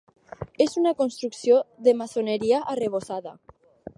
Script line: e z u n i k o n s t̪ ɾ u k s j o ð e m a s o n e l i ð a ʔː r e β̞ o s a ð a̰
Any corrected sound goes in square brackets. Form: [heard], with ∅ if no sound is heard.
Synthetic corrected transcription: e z u n [a] k o n s t̪ ɾ u k s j o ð e m a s o n e [ɾ] i [∅] a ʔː r e β̞ o s a ð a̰